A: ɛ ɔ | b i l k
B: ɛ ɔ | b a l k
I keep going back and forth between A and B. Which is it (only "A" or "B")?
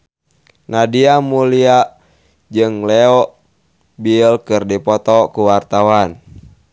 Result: A